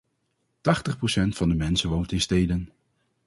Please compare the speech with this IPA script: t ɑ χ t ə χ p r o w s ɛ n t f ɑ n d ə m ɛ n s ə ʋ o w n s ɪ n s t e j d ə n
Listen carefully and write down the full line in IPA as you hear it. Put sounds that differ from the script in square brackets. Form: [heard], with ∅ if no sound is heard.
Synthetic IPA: t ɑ χ t ə χ p r o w s ɛ n t f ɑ n d ə m ɛ n s ə ʋ o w n [t] ɪ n s t e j d ə n